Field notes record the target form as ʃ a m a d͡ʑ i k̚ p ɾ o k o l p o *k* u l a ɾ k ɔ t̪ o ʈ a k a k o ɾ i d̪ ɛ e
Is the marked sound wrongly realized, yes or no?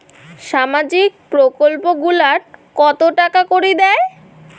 yes